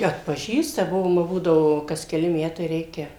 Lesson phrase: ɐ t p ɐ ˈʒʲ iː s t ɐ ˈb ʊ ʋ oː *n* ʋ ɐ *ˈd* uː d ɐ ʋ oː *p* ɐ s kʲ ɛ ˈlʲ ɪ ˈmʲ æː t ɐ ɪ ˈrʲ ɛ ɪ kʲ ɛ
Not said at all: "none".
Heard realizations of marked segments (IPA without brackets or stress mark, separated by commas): m, b, k